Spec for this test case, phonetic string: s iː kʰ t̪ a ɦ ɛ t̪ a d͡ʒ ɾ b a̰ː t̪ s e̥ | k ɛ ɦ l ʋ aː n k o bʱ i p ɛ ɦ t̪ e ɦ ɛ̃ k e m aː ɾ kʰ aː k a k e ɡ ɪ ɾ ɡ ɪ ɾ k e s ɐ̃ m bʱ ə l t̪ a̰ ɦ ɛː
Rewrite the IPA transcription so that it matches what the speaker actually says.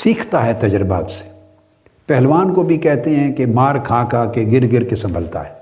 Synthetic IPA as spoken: s iː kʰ t̪ a ɦ ɛ t̪ ɐ d͡ʒ ɾ b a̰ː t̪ s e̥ | p ɛ ɦ l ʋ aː n k o bʱ i k ɛ ɦ t̪ e ɦ ɛ̃ k e m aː ɾ kʰ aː k a k e ɡ ɪ ɾ ɡ ɪ ɾ k e s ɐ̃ m bʱ ə l t̪ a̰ ɦ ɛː